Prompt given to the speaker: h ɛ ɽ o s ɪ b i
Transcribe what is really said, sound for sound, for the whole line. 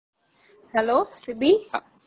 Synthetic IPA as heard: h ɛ l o s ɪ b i